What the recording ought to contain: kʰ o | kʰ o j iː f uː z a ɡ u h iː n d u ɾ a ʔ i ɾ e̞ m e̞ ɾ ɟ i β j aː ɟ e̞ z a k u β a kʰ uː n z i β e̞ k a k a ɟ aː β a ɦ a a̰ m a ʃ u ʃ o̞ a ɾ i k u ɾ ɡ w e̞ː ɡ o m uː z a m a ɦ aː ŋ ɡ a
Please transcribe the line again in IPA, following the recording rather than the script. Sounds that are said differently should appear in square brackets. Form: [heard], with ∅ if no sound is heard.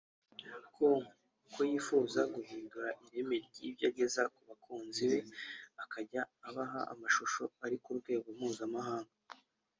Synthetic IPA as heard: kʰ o | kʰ o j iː f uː z a ɡ u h iː n d u ɾ a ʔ i ɾ e̞ m e̞ ɾ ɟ i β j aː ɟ e̞ z a k u β a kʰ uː n z i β e̞ [∅] a k a ɟ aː β a ɦ a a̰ m a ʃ u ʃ o̞ a ɾ i k u ɾ ɡ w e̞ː ɡ o m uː z a m a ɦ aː ŋ ɡ a